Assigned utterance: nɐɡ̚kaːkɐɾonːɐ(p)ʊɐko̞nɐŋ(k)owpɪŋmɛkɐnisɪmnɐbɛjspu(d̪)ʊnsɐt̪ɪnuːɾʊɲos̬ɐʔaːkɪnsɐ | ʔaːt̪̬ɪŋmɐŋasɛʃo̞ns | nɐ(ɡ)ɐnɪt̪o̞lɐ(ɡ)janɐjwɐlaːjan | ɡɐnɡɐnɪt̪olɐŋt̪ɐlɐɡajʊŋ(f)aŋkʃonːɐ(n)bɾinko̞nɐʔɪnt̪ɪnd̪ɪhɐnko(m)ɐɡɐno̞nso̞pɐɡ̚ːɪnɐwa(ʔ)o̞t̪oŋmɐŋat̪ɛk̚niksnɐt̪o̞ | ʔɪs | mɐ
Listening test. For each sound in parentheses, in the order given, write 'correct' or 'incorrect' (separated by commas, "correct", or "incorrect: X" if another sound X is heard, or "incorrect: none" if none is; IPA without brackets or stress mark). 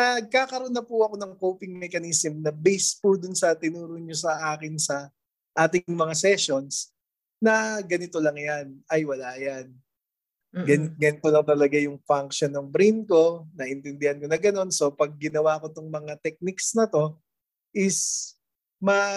correct, correct, correct, correct, incorrect: ŋ, correct, incorrect: ŋ, incorrect: n, incorrect: k